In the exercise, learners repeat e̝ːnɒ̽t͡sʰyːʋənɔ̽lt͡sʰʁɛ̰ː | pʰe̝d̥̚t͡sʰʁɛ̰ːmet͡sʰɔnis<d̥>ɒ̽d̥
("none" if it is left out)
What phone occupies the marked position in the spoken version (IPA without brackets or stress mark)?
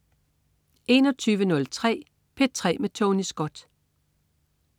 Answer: ɡ̥